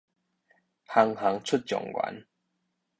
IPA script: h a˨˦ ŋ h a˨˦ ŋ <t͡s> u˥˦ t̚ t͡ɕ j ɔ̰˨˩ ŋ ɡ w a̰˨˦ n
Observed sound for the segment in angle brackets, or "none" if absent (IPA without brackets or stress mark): t͡sʰ